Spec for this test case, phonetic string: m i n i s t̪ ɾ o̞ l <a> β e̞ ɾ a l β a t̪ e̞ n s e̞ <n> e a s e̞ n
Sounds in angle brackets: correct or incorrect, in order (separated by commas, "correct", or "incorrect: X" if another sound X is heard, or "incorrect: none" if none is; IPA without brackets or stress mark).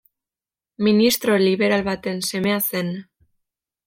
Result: incorrect: i, incorrect: m